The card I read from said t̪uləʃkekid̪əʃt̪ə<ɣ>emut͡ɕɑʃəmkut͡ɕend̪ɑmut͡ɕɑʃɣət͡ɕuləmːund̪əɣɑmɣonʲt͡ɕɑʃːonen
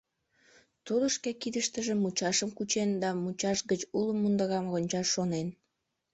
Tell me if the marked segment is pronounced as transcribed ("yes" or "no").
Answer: no